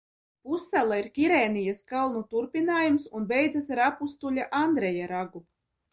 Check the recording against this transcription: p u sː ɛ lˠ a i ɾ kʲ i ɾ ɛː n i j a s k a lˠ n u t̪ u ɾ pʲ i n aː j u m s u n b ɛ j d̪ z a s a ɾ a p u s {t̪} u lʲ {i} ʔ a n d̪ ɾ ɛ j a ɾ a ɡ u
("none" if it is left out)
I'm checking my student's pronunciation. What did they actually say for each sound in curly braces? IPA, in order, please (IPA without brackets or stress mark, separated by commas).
t̪, a